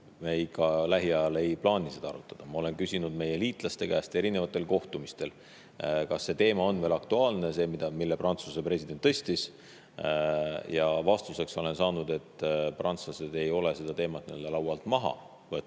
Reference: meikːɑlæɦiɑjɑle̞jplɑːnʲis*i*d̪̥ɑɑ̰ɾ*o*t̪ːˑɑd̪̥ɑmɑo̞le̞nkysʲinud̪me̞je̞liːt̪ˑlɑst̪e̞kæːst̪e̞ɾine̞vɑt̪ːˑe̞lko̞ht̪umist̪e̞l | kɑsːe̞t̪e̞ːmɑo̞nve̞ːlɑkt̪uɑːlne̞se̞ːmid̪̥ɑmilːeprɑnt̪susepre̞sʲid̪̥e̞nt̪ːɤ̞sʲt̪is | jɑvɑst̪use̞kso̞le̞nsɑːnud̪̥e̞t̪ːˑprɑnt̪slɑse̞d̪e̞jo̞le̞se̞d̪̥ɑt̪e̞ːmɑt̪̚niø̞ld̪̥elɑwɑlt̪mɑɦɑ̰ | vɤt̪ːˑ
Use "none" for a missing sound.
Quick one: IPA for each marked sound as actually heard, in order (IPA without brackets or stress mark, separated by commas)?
e, u